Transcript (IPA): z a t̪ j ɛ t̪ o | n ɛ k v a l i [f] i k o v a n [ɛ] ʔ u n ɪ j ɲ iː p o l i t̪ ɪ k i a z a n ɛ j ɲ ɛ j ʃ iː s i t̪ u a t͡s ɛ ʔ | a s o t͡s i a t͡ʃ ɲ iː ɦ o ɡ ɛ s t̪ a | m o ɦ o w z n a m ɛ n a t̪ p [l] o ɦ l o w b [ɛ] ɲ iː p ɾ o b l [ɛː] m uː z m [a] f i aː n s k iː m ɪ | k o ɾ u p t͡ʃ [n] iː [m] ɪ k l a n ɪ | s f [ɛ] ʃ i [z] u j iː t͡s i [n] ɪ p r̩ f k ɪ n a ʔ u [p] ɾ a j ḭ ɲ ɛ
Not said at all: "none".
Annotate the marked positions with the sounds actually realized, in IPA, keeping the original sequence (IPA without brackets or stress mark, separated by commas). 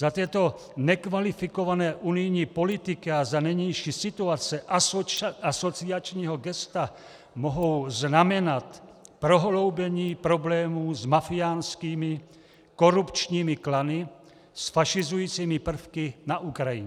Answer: f, ɛː, ɾ, ɛ, ɛː, a, ɲ, m, a, z, m, k